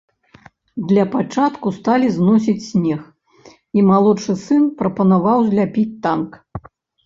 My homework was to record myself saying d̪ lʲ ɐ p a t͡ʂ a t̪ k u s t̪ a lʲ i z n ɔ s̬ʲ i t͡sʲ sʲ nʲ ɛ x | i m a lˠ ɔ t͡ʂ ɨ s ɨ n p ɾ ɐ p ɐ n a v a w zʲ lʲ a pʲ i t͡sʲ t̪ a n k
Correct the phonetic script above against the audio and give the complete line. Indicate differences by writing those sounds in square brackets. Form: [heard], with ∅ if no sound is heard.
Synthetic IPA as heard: d̪ lʲ ɐ p a t͡ʂ a t̪ k u s t̪ a lʲ i z n ɔ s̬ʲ i t͡sʲ sʲ nʲ ɛ x | i m a lˠ ɔ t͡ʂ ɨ s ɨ n p ɾ ɐ p ɐ n a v a w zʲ lʲ a pʲ i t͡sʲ t̪ a n k